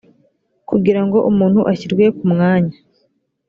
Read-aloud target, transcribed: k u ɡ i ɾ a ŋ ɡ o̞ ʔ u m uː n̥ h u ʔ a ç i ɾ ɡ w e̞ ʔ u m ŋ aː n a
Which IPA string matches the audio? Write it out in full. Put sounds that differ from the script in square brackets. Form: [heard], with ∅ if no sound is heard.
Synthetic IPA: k u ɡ i ɾ a ŋ ɡ o̞ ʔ u m uː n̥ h u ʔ a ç i ɾ ɡ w e̞ [k] u m ŋ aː [ɲ] a